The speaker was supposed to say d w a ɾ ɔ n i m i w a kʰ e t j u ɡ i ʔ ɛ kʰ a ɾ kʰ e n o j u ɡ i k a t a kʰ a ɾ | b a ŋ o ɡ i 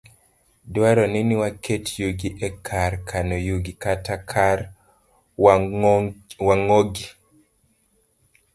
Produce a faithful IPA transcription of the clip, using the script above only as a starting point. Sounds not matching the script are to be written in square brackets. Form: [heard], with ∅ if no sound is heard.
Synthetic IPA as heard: d w a ɾ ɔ n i [n] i w a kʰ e t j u ɡ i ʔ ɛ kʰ a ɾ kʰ [a] n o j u ɡ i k a t a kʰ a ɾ | [w] a ŋ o ɡ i